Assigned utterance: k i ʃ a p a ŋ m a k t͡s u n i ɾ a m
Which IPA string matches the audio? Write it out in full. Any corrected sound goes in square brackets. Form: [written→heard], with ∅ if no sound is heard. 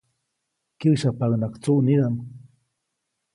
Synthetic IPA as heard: k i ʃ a p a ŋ [m→n] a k t͡s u n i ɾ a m